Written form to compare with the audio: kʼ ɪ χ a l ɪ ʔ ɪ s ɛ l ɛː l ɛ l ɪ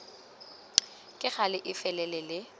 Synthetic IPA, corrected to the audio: kʼ ɪ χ a l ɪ ʔ ɪ f ɛ l ɛ l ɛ l ɪ